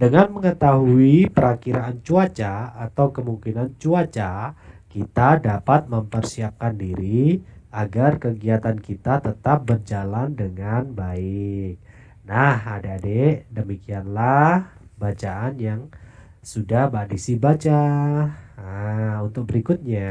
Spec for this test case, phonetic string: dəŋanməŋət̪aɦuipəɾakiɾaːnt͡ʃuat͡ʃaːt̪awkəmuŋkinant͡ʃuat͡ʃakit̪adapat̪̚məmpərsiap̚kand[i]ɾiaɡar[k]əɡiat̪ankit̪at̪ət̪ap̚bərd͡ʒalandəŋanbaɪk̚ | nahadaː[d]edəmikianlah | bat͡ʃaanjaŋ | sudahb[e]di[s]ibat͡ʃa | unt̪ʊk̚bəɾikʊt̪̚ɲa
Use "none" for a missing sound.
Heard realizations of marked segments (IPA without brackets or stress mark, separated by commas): i, k, d, a, s